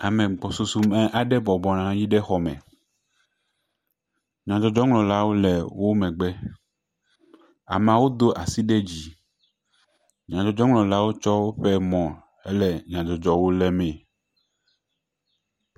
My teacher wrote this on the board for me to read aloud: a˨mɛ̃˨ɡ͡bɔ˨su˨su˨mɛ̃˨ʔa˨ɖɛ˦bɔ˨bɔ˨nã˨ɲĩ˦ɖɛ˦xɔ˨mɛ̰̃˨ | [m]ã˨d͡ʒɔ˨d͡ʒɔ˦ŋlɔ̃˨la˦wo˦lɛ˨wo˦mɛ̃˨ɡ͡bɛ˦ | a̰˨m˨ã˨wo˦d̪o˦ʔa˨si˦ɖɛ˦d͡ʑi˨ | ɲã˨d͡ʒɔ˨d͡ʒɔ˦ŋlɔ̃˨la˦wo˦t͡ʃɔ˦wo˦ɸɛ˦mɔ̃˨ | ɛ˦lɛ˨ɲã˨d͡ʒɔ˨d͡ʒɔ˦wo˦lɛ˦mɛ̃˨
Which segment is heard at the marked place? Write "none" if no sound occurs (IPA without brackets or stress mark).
ɲ